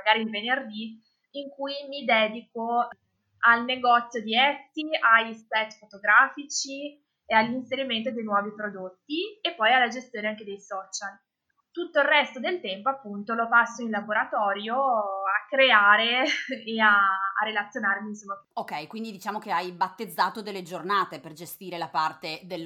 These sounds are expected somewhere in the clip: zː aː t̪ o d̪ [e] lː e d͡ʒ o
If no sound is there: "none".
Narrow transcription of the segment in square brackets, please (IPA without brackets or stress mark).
e